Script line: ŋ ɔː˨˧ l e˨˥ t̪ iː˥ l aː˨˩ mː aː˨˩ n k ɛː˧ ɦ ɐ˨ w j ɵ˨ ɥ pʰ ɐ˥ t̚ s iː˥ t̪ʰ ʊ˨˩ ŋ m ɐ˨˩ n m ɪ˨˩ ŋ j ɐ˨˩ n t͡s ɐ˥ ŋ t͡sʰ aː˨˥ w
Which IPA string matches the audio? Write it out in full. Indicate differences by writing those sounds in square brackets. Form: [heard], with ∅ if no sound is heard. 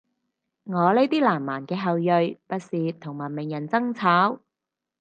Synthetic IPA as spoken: ŋ ɔː˨˧ l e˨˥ t̪ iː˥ l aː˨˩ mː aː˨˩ n k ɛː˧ ɦ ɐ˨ w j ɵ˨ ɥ [p] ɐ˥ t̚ s [iː˨] t̪ʰ ʊ˨˩ ŋ m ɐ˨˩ n m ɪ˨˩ ŋ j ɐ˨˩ n t͡s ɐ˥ ŋ t͡sʰ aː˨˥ w